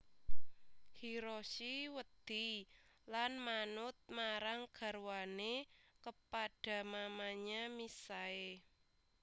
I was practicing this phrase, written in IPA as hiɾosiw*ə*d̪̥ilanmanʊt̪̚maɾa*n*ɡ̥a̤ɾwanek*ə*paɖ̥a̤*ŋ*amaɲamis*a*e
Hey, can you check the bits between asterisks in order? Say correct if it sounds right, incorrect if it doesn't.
correct, incorrect: ŋ, correct, incorrect: m, correct

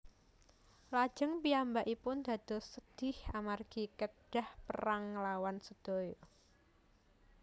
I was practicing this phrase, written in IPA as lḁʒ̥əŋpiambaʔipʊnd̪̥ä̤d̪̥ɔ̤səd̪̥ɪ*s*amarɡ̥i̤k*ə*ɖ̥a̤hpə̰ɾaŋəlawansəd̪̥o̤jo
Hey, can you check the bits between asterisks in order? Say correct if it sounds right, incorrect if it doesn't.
incorrect: h, correct

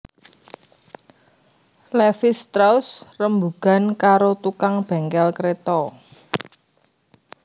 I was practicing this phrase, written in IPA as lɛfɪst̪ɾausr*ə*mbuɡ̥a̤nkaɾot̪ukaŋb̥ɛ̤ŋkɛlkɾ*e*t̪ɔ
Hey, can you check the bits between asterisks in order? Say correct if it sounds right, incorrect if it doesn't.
correct, correct

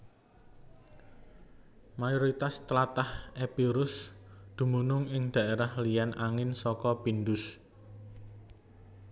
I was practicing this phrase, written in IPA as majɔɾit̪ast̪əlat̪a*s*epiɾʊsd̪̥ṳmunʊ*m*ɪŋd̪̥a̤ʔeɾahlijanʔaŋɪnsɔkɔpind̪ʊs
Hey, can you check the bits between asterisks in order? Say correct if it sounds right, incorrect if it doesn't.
incorrect: h, incorrect: ŋ

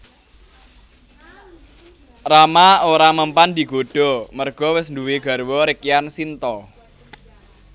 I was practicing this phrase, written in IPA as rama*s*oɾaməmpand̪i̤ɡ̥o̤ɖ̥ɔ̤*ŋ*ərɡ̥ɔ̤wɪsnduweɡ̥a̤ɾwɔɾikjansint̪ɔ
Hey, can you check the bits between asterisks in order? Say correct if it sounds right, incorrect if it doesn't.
incorrect: none, incorrect: m

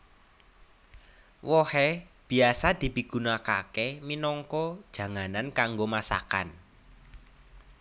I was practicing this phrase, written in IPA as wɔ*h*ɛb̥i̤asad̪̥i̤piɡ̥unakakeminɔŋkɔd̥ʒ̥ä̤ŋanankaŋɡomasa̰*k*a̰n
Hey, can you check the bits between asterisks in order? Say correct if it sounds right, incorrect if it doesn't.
correct, correct

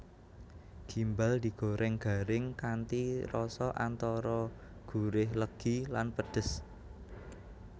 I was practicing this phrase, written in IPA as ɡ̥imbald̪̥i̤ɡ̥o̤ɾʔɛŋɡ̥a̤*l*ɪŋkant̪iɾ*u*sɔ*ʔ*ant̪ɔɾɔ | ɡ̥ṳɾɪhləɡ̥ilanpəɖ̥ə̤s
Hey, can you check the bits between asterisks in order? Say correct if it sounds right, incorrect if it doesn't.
incorrect: ɾ, incorrect: ɔ, correct

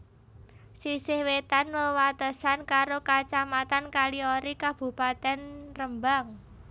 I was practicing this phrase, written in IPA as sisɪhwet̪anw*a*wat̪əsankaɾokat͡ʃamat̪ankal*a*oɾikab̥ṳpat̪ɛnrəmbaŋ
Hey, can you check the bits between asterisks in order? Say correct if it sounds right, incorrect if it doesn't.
incorrect: ə, incorrect: i

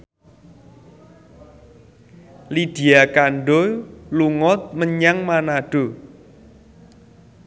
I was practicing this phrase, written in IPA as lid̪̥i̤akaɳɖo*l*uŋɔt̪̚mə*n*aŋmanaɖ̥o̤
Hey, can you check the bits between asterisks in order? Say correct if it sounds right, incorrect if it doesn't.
correct, incorrect: ɲ

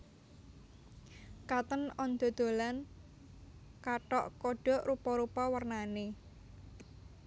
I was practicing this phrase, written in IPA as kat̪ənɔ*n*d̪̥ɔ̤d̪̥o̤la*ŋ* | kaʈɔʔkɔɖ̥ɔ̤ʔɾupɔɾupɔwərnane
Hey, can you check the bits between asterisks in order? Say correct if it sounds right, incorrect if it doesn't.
correct, incorrect: n

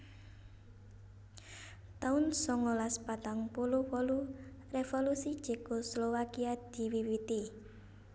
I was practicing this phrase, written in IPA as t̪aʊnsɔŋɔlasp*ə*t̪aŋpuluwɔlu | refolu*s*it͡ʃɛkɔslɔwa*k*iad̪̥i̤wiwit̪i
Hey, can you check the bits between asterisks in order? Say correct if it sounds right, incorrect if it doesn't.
incorrect: a, correct, correct

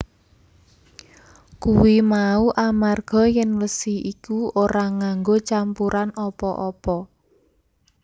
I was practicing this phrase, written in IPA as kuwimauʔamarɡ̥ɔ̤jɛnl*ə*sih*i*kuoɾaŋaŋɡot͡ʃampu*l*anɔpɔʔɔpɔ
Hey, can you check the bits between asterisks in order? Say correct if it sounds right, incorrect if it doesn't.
correct, correct, incorrect: ɾ

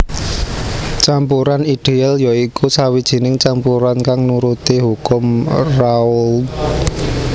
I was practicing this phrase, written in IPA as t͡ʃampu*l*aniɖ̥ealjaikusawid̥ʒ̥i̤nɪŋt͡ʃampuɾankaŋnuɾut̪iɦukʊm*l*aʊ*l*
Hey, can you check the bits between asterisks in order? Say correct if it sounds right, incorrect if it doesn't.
incorrect: ɾ, incorrect: r, correct

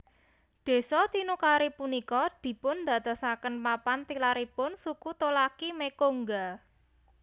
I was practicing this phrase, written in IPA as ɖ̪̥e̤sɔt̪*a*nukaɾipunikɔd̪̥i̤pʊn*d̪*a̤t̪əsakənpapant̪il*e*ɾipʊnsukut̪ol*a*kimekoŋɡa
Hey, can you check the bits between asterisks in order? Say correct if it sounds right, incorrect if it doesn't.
incorrect: i, correct, incorrect: a, correct

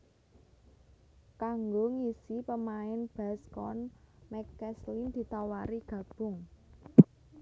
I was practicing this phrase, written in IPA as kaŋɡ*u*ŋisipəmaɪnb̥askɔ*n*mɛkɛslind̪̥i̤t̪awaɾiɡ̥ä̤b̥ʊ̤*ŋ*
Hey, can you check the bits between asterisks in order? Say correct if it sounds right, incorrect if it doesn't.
incorrect: o, correct, correct

